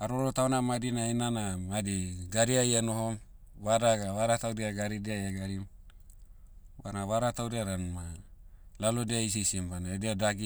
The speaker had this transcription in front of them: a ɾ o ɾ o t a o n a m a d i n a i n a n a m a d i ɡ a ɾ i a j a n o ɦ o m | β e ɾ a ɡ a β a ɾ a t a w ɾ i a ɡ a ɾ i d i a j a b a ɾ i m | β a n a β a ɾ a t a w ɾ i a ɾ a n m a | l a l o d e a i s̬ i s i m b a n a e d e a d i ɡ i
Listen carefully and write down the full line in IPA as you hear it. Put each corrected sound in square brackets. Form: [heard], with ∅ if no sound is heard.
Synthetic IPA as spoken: a ɾ o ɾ o t a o n a m a d i n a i n a n a m a d i ɡ a ɾ i a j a n o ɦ o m | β [a] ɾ a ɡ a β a ɾ a t a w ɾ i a ɡ a ɾ i d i a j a [ɡ] a ɾ i m | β a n a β a ɾ a t a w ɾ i a ɾ a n m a | l a l o d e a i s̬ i s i m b a n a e d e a d [a] ɡ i